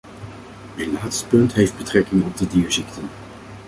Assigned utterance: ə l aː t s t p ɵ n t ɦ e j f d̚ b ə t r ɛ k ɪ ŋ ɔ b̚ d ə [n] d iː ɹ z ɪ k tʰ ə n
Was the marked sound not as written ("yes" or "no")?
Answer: yes